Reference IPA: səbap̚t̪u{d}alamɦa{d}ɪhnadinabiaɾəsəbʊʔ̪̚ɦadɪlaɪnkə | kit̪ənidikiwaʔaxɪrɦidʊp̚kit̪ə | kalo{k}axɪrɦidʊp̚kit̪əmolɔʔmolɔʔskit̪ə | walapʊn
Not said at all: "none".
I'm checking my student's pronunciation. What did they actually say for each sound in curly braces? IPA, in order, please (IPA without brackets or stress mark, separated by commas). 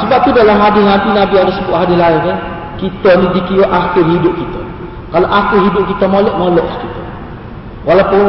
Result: d, d, ʔ